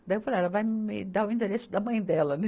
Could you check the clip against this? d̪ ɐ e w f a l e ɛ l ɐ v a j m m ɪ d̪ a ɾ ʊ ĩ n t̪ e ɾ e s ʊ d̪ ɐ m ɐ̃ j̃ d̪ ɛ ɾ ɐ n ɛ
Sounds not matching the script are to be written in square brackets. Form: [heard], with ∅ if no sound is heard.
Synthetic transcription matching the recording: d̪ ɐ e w f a l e ɛ l ɐ v a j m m ɪ d̪ a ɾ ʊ ĩ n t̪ e ɾ e s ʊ d̪ ɐ m ɐ̃ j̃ d̪ ɛ [l] ɐ n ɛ